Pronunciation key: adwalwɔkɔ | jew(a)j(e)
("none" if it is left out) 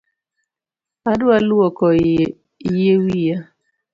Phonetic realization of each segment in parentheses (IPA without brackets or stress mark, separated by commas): i, a